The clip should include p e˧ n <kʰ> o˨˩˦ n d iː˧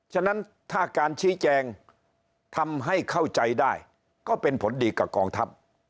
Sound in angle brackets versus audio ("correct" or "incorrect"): incorrect